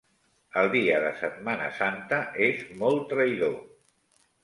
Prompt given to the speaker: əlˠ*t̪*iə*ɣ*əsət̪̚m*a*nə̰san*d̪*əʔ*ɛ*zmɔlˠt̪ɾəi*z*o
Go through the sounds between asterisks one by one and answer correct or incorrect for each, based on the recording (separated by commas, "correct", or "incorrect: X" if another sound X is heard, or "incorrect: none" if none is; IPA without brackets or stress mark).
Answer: incorrect: d̪, incorrect: ð, correct, incorrect: t̪, incorrect: e, incorrect: ð